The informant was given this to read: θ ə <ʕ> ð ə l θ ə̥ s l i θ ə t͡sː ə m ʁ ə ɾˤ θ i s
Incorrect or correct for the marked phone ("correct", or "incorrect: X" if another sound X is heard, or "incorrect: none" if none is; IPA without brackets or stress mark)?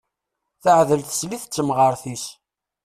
correct